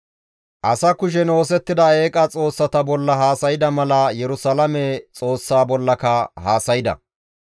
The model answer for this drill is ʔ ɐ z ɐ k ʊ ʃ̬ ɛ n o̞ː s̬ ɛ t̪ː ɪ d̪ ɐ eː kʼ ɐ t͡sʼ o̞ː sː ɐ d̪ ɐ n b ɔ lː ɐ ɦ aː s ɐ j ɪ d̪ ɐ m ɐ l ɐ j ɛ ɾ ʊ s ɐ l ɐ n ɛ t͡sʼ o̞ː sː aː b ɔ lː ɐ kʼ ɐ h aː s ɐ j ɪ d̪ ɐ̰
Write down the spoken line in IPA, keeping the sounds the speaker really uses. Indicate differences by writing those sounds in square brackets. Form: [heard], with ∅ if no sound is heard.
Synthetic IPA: ʔ ɐ [s] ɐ k ʊ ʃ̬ ɛ n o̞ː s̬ ɛ t̪ː ɪ d̪ ɐ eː kʼ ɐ t͡sʼ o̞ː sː ɐ [t̪] ɐ [∅] b ɔ lː ɐ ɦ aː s ɐ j ɪ d̪ ɐ m ɐ l ɐ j ɛ ɾ ʊ s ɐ l ɐ [m] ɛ t͡sʼ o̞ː sː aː b ɔ lː ɐ [k] ɐ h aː s ɐ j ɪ d̪ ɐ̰